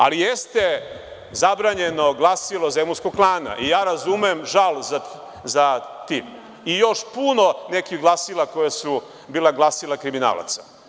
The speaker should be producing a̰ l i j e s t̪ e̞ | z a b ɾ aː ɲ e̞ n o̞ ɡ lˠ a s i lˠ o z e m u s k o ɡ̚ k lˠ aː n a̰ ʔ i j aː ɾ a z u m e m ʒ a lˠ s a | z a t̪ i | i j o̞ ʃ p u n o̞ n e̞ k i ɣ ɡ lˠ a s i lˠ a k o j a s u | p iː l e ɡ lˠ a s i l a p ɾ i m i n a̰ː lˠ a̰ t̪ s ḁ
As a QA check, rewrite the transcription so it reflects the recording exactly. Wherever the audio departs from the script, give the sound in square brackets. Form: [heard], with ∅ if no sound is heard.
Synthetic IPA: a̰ l i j e s t̪ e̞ | z a b ɾ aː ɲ e̞ n o̞ ɡ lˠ a s i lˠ o z e m u s k o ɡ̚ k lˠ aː n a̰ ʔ i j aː ɾ a z u m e m ʒ a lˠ [z] a | z a t̪ i | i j o̞ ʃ p u n o̞ n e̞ k i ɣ ɡ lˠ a s i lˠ a k o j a s u | [b] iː l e ɡ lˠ a s i l a [k] ɾ i m i n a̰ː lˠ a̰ t̪ s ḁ